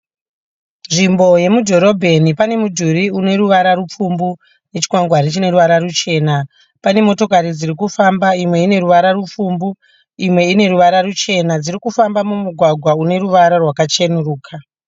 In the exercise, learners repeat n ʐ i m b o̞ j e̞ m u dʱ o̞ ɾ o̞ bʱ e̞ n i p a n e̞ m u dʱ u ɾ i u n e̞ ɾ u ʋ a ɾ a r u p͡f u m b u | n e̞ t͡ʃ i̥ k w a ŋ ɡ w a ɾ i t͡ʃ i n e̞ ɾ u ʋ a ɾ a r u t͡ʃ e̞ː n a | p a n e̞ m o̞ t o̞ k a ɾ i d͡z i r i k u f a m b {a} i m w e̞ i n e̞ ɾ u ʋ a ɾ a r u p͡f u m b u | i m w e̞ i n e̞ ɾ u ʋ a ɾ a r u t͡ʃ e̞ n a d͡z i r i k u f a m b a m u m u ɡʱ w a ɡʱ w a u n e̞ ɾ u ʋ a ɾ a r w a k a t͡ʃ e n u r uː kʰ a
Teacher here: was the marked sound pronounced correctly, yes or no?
yes